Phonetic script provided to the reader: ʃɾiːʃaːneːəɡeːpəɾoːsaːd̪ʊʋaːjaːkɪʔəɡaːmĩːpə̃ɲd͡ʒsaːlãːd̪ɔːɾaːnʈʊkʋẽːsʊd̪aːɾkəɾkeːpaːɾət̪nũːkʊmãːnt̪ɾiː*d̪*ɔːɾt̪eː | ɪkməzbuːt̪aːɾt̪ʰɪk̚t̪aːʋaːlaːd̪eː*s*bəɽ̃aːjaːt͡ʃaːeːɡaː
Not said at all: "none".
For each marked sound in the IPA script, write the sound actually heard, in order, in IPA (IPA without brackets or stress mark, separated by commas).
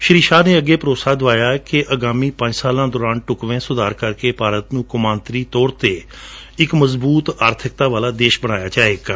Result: t̪, ʃ